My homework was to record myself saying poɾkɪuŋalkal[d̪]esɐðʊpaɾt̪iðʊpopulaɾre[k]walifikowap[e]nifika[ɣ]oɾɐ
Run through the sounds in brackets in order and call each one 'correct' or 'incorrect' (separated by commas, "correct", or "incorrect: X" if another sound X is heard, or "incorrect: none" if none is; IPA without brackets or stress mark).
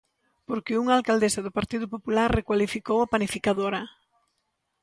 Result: correct, correct, incorrect: a, incorrect: ð